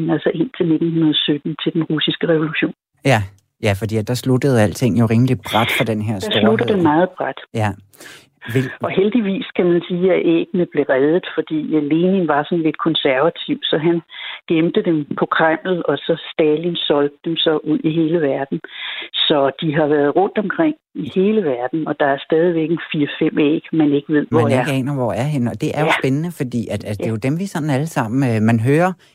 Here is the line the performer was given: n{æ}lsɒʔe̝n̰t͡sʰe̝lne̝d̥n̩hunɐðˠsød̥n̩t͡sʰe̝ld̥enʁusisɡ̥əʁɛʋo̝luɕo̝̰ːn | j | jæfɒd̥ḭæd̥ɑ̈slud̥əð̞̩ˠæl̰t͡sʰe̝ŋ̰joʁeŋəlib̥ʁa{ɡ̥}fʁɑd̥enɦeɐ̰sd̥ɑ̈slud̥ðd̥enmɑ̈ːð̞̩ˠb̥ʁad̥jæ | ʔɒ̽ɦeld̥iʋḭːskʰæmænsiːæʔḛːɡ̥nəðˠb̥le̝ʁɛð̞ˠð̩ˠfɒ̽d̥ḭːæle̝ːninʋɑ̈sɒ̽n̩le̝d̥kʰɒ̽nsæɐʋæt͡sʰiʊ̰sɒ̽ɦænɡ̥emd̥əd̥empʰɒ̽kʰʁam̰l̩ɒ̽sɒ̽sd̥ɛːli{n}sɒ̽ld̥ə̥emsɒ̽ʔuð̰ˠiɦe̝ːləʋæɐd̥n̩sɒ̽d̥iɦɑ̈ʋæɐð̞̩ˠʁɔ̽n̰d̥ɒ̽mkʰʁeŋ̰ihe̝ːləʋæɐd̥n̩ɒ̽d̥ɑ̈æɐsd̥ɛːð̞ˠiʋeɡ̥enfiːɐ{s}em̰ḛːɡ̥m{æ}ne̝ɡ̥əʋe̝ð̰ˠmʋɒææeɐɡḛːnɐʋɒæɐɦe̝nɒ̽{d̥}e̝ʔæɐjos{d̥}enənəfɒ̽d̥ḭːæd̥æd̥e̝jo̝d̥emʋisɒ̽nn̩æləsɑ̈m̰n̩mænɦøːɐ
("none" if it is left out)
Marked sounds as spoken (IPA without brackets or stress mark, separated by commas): æ, d̥, n, f, æ, d̥, b̥